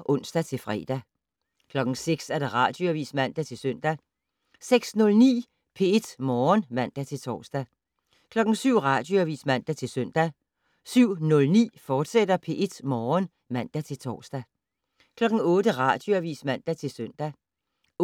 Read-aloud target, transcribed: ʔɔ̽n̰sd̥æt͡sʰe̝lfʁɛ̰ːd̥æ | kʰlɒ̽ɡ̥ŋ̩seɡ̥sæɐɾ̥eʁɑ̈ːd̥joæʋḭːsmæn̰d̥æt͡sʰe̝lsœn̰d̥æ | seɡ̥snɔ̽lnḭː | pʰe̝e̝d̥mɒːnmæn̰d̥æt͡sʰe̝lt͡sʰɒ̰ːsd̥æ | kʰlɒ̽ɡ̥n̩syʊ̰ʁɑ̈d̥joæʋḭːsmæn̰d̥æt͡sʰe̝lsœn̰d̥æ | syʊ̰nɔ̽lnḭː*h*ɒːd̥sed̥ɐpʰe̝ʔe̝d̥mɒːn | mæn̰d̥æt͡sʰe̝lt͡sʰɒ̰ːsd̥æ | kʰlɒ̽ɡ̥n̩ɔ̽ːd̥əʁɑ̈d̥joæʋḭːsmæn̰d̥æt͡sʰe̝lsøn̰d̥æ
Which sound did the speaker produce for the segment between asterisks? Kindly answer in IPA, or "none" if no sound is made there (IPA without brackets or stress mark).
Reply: f